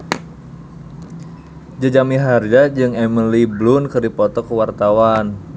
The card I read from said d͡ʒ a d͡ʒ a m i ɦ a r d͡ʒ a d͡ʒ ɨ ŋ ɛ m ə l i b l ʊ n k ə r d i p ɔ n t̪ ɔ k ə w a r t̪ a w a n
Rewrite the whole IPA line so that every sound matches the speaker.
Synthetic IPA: d͡ʒ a d͡ʒ a m i ɦ a r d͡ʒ a d͡ʒ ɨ ŋ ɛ m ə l i b l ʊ n k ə r d i p ɔ t̪ ɔ k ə w a r t̪ a w a n